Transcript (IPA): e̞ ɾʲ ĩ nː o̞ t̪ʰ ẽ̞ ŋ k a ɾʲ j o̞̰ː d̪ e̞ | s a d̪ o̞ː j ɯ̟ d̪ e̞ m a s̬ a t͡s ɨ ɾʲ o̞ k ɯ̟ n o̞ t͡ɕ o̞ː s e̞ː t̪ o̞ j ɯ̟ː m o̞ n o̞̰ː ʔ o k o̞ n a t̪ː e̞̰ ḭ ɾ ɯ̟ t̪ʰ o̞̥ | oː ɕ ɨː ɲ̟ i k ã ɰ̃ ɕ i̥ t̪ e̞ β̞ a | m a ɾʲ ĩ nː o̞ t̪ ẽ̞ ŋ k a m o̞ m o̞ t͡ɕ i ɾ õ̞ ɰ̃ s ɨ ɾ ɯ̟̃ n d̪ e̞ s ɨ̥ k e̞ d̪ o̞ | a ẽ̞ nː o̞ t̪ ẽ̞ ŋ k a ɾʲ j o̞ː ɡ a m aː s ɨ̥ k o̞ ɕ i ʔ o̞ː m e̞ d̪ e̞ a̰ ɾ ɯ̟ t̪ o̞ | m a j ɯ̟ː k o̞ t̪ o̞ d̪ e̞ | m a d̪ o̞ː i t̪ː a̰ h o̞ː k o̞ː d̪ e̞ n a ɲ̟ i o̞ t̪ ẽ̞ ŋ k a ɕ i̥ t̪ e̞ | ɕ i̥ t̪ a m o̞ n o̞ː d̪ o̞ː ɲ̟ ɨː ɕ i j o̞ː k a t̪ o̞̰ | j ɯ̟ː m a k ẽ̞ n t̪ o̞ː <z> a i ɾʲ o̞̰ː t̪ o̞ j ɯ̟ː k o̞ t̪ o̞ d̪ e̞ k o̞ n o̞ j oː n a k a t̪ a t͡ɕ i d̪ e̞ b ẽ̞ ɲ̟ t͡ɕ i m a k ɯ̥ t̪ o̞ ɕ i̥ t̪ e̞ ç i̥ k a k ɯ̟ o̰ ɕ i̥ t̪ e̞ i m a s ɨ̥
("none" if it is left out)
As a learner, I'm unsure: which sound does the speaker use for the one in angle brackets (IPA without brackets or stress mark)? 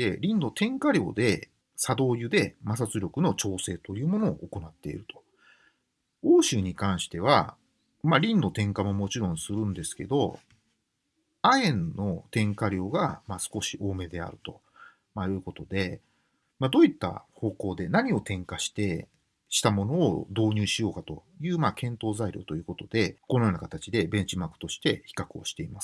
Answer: z